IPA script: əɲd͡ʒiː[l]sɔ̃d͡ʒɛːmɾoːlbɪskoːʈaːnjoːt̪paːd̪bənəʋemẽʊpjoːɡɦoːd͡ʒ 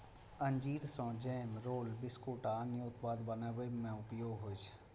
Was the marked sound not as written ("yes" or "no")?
yes